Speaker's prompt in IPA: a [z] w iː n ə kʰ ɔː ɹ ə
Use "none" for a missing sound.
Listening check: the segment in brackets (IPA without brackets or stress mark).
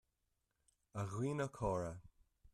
ɣ